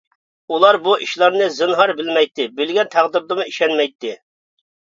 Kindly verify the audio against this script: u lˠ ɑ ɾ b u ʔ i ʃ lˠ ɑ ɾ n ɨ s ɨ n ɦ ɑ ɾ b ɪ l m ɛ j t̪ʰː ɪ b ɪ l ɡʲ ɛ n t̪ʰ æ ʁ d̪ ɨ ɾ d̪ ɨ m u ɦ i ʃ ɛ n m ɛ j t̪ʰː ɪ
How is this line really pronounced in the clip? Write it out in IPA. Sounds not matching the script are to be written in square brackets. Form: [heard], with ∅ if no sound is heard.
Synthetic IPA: u lˠ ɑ ɾ b u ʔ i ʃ lˠ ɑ ɾ n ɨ [z] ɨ n ɦ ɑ ɾ b ɪ l m ɛ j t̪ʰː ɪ b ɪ l ɡʲ ɛ n t̪ʰ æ ʁ d̪ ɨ ɾ d̪ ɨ m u [∅] i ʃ ɛ n m ɛ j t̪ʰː ɪ

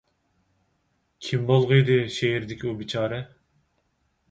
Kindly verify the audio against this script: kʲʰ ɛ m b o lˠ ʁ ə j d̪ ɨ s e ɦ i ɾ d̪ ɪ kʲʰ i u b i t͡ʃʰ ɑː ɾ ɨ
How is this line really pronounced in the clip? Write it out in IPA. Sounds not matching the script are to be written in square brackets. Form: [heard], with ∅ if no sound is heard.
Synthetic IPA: kʲʰ [i] m b o lˠ ʁ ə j d̪ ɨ [ʃ] e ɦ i ɾ d̪ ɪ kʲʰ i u b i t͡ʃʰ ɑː ɾ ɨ

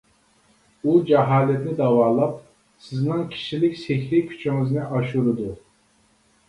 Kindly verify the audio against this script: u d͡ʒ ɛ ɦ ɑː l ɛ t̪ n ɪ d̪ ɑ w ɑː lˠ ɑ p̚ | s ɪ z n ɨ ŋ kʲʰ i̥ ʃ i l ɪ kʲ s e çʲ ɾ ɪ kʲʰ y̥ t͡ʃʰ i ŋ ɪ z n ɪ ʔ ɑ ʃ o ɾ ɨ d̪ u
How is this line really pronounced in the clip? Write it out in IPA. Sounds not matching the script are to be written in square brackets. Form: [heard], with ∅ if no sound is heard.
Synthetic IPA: u d͡ʒ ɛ ɦ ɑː l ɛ t̪ n ɪ d̪ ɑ w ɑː lˠ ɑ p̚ | s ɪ z n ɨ ŋ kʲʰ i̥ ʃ i l ɪ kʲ s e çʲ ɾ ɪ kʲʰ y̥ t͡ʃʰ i ŋ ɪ z n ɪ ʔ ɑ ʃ [u] ɾ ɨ d̪ u

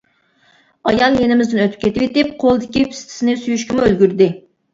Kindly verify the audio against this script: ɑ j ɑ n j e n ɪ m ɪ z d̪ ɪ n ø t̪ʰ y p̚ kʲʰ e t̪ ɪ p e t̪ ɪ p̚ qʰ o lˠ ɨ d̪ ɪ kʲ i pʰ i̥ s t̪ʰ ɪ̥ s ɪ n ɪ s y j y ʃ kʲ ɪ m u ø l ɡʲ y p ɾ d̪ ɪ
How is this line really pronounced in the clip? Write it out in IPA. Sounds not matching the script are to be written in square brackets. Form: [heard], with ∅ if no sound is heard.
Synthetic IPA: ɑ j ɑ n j e n ɪ m ɪ z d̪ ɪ n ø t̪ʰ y p̚ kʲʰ e t̪ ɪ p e t̪ ɪ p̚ qʰ o lˠ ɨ d̪ ɪ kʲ i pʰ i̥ s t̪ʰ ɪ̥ s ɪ n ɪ s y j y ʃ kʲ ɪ m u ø l ɡʲ y [∅] ɾ d̪ ɪ

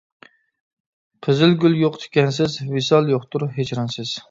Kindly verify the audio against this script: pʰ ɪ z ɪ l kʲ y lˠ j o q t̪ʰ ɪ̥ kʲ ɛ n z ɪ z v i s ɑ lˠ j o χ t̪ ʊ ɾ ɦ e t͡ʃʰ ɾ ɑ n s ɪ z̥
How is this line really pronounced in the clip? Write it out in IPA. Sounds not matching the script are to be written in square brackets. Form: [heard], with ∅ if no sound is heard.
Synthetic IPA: pʰ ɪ z ɪ l [ɡʲ] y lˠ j o q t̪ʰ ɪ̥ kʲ ɛ n [s] ɪ z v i s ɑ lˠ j o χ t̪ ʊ ɾ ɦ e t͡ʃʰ ɾ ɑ n s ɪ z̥

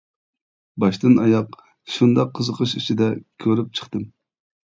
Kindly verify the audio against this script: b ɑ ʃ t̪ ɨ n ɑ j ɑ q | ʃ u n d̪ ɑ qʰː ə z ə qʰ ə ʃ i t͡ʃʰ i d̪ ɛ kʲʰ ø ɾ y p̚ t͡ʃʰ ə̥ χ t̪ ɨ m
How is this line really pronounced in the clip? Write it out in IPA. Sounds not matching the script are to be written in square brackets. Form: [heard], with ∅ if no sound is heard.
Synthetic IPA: b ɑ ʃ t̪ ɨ n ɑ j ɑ q | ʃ u n d̪ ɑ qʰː ə z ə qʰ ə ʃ i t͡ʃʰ i d̪ ɛ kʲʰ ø ɾ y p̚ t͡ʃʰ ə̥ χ t̪ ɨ m

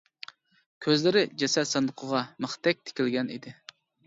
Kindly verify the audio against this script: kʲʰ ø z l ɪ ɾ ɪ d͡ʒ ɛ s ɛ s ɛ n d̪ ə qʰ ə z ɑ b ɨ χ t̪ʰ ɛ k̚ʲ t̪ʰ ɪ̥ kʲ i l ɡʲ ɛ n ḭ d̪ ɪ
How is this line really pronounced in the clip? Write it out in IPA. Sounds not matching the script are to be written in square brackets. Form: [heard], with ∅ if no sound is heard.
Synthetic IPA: kʲʰ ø z l ɪ ɾ ɪ d͡ʒ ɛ s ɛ s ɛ n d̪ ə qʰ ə [ʁ] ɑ [m] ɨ χ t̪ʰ ɛ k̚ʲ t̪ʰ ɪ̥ kʲ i l ɡʲ ɛ n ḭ d̪ ɪ

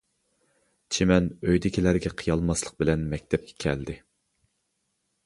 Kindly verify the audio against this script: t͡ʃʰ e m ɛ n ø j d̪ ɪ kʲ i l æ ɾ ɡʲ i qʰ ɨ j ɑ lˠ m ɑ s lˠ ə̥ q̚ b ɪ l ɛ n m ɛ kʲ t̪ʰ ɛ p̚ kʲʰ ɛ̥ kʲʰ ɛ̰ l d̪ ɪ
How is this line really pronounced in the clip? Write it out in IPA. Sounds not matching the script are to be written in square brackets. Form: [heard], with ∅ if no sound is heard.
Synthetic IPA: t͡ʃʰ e m ɛ n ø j d̪ ɪ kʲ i l æ ɾ ɡʲ [ɛ] qʰ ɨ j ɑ lˠ m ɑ s lˠ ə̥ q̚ b ɪ l ɛ n m ɛ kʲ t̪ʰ ɛ p̚ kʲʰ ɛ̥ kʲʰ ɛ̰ l d̪ ɪ

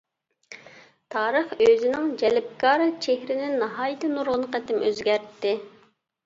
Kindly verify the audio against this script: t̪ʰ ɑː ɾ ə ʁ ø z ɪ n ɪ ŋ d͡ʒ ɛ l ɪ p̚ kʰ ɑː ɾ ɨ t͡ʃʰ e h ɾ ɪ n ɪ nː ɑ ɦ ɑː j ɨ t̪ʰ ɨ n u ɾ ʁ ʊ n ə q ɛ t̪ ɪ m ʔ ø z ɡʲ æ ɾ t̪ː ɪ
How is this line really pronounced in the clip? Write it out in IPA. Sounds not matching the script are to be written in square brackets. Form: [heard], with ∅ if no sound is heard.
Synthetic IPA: t̪ʰ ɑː ɾ ə [χ] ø z ɪ n ɪ ŋ d͡ʒ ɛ l ɪ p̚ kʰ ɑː ɾ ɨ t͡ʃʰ e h ɾ ɪ n ɪ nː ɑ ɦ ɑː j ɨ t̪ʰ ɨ n u ɾ ʁ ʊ n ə q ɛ t̪ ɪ m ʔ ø z ɡʲ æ ɾ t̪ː ɪ

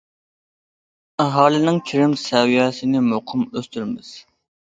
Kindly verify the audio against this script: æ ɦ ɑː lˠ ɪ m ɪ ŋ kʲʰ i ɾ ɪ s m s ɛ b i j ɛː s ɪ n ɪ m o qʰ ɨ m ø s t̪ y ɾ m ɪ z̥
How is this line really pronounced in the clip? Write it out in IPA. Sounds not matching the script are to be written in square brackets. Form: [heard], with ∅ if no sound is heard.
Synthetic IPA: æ ɦ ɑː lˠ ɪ [n] ɪ ŋ kʲʰ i ɾ ɪ [∅] m s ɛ [w] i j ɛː s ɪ n ɪ m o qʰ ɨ m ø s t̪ y ɾ m ɪ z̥

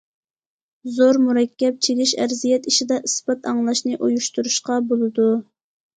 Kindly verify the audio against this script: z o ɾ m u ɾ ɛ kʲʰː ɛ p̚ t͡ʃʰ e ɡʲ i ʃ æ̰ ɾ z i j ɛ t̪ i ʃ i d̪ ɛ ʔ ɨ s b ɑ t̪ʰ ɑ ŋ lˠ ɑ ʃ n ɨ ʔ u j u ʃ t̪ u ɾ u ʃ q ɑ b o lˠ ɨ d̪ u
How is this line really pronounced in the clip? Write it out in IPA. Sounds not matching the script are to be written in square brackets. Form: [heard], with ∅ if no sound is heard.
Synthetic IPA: z o ɾ m u ɾ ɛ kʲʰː ɛ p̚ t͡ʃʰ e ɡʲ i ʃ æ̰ ɾ z i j ɛ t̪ i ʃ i d̪ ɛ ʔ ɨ s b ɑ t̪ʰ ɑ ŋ lˠ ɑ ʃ n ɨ ʔ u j u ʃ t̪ u ɾ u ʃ q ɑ b o lˠ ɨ d̪ u

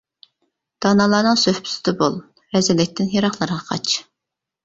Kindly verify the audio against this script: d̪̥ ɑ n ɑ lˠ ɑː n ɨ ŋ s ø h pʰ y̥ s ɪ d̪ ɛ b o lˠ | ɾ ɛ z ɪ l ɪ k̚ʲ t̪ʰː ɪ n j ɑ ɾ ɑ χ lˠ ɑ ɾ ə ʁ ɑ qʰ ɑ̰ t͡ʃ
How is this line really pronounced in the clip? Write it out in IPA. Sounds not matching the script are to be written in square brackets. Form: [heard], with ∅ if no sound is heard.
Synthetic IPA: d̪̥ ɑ n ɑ lˠ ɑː n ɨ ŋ s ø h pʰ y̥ s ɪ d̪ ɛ b o lˠ | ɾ ɛ z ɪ l ɪ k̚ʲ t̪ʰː ɪ n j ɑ ɾ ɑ χ lˠ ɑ ɾ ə ʁ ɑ qʰ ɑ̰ t͡ʃ

